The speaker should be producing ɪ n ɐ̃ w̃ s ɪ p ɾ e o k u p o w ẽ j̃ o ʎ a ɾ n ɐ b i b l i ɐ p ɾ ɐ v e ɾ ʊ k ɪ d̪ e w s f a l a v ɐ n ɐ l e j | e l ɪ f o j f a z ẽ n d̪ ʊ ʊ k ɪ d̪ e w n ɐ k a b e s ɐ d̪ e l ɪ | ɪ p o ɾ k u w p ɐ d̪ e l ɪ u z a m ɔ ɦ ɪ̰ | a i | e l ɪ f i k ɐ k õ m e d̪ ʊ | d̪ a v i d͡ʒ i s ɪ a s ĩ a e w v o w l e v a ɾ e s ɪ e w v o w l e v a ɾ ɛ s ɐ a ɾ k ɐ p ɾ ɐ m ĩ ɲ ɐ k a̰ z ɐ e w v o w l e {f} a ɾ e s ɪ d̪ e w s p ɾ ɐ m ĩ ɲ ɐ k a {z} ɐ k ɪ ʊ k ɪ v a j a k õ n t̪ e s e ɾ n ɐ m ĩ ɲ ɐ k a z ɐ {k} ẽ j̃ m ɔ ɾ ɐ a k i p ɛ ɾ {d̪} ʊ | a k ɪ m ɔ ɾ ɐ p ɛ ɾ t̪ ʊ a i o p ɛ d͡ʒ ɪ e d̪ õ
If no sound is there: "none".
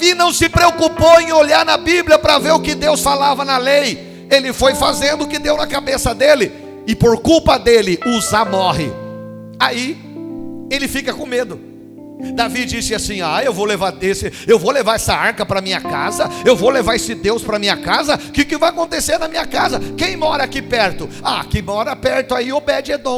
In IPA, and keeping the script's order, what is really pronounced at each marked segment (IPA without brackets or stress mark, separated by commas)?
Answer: v, z, k, t̪